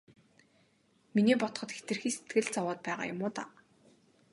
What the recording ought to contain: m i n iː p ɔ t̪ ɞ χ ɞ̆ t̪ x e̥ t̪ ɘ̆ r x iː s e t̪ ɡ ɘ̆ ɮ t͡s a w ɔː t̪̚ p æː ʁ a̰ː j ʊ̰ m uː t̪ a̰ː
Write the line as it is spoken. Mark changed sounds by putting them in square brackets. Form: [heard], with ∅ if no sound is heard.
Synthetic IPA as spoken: m i n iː p ɔ t̪ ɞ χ ɞ̆ t̪ x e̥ t̪ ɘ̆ r x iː s e t̪ ɡ ɘ̆ ɮ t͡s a w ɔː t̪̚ p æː ʁ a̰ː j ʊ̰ m [ʊː] t̪ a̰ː